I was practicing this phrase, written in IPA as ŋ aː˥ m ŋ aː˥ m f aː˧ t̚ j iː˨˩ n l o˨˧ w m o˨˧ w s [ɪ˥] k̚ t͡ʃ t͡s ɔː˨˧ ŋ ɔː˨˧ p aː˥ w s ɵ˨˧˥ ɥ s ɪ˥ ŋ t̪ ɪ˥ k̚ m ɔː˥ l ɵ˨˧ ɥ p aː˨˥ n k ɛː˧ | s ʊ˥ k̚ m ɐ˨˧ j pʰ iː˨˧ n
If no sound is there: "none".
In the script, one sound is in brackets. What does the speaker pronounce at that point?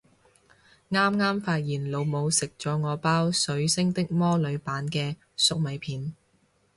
ɪ˨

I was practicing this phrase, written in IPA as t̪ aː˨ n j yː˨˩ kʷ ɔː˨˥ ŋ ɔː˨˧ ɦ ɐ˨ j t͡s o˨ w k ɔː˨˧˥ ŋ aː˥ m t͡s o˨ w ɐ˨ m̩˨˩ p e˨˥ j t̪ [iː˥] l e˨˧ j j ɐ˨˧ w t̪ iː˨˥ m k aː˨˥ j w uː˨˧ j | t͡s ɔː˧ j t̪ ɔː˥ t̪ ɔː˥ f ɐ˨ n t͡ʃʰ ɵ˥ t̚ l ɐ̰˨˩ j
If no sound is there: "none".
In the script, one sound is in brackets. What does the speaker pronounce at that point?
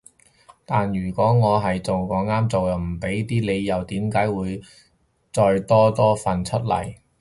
iː˥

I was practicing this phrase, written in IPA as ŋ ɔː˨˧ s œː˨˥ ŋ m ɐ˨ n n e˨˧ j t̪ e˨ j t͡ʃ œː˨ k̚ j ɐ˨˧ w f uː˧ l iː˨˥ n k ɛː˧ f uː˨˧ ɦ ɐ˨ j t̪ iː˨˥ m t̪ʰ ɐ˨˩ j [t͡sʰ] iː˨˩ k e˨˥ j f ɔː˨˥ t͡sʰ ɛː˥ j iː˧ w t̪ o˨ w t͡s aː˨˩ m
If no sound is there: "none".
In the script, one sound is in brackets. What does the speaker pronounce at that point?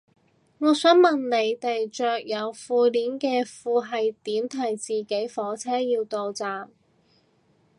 t͡s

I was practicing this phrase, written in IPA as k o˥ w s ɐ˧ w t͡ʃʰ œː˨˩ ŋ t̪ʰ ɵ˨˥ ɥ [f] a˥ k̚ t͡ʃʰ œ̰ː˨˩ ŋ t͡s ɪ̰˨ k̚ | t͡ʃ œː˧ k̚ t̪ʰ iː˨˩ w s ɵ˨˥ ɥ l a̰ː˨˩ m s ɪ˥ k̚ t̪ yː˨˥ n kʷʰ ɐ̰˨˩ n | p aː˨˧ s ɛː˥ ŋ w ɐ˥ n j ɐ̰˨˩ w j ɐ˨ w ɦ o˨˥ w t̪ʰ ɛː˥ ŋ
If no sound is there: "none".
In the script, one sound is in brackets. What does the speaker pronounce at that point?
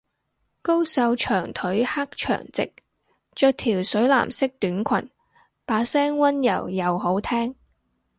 h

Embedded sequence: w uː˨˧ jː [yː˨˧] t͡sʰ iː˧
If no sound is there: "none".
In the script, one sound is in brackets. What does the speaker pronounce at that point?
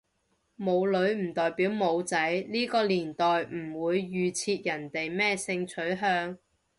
yː˨˧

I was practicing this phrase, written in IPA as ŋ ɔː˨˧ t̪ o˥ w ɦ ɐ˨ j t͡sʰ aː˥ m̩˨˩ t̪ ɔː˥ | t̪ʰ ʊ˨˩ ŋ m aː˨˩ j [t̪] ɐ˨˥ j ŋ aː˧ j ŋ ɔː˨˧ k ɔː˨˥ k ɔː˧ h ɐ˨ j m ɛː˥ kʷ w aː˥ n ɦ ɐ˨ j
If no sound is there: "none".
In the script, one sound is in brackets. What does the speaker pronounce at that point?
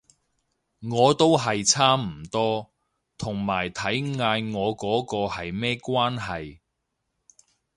t̪ʰ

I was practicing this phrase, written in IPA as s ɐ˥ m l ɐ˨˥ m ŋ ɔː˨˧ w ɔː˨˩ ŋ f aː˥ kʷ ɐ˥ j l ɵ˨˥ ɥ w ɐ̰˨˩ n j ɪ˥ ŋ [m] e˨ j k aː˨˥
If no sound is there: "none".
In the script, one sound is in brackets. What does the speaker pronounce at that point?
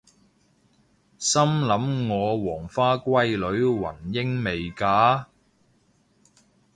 m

